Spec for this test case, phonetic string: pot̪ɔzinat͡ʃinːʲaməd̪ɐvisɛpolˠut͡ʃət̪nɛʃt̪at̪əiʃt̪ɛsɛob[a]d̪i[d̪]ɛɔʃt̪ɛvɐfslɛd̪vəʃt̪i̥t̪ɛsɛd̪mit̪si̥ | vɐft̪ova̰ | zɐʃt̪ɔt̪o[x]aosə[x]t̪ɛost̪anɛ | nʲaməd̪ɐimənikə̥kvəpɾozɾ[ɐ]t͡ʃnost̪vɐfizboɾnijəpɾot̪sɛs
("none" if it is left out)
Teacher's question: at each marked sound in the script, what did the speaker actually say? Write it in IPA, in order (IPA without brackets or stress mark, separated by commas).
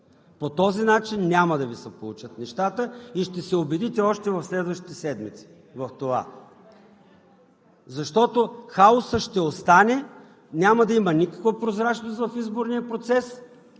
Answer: ɛ, t̪, x, ʃ, a